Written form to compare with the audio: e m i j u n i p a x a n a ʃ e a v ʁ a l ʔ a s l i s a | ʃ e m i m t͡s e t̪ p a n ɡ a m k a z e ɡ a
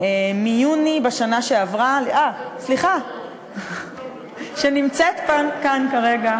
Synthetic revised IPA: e m i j u n i b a ʃ a n a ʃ e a v ʁ a l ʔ a s l i χ a | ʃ e n i m t͡s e t̪ p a n k a n k a ʁ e ɡ a